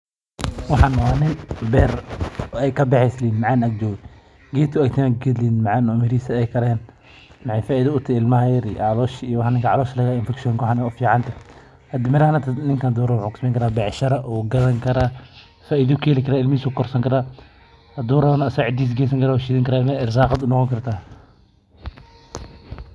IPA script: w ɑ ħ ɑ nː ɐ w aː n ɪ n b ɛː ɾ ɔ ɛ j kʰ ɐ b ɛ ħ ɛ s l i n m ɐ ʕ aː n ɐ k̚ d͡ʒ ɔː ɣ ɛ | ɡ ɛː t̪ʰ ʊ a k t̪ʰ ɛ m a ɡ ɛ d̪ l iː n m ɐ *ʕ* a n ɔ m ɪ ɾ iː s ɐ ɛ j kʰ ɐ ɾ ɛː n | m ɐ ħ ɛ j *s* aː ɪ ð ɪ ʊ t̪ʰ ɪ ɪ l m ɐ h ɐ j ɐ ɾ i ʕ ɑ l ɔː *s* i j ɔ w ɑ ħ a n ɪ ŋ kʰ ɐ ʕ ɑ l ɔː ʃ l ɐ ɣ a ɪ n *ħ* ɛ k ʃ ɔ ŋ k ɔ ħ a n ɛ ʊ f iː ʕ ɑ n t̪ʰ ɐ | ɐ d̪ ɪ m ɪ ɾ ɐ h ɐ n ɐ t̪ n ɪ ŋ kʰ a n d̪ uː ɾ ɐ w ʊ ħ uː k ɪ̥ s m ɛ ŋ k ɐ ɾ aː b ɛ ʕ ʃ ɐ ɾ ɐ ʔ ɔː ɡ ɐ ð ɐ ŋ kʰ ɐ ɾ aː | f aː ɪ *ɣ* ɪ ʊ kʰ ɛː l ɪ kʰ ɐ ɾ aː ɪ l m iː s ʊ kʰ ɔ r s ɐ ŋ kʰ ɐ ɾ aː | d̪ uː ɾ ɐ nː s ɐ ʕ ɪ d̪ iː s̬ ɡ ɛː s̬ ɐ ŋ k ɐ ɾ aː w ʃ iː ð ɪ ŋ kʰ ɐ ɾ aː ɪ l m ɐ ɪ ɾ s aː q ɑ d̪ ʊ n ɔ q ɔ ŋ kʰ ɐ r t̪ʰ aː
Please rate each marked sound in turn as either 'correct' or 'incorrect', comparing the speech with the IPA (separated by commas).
correct, incorrect, incorrect, incorrect, incorrect